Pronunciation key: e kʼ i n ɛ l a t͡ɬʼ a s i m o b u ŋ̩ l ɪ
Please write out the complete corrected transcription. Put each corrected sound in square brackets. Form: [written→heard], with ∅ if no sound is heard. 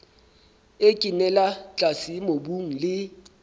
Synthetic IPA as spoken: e kʼ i n ɛ l a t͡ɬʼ a s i m o b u ŋ̩ l ɪ